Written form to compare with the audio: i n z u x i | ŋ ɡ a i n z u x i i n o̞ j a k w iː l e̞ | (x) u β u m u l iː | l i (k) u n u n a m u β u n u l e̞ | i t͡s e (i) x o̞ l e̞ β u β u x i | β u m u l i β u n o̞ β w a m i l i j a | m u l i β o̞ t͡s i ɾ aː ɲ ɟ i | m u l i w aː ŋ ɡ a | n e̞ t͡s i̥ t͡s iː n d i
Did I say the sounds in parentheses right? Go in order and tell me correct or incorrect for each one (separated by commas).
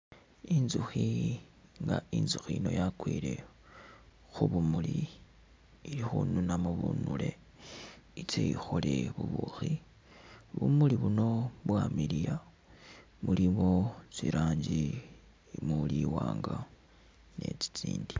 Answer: correct, incorrect, correct